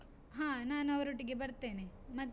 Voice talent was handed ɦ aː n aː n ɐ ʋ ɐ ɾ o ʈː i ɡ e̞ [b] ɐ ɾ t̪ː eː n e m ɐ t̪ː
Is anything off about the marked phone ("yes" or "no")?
no